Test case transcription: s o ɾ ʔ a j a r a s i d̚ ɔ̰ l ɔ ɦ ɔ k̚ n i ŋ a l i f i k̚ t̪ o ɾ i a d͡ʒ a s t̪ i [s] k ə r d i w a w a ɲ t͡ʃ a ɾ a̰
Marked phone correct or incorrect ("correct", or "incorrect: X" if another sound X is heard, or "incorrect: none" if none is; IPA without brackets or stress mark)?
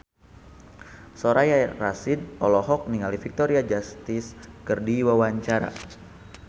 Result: correct